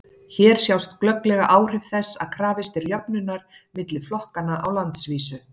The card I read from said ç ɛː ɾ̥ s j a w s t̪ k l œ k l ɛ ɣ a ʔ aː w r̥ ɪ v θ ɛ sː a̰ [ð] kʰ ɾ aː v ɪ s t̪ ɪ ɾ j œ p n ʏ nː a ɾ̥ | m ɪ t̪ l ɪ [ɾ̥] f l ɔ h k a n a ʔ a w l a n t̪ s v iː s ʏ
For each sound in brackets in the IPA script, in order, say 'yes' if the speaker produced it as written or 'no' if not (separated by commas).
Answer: yes, no